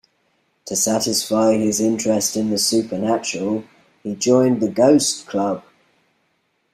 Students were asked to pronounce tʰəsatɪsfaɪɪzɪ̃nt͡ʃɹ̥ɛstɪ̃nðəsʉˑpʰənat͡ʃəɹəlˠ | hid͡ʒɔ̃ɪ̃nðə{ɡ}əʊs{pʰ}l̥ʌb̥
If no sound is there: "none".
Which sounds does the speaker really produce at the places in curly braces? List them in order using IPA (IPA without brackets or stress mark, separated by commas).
ɡ, kʰ